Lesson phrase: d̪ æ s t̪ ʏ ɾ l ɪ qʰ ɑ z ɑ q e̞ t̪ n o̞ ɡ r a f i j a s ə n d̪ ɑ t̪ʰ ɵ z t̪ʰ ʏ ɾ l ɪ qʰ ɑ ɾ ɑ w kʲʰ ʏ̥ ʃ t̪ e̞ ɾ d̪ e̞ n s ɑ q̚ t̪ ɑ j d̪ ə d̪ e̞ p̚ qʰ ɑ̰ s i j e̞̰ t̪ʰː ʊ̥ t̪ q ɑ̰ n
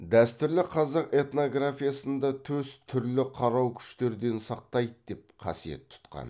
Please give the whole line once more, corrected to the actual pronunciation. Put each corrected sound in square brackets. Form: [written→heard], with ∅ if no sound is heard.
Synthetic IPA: d̪ æ s t̪ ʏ ɾ l ɪ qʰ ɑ z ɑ q e̞ t̪ n o̞ ɡ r a f i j a s ə n d̪ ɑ t̪ʰ ɵ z t̪ʰ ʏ ɾ l ɪ qʰ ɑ ɾ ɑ w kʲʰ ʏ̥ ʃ t̪ e̞ ɾ d̪ e̞ n s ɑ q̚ t̪ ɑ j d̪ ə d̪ e̞ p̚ qʰ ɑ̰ s i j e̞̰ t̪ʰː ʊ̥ t̪ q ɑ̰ n